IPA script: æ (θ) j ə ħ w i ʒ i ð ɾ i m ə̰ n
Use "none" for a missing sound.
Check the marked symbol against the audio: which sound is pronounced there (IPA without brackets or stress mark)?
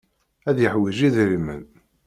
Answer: ð